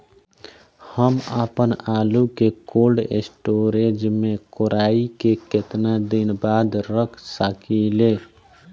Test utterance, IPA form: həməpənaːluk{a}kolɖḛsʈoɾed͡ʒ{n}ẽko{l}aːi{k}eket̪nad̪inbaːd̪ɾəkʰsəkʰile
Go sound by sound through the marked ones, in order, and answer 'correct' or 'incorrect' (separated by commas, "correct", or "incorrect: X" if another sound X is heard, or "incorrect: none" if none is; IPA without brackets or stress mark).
incorrect: e, incorrect: m, incorrect: ɾ, correct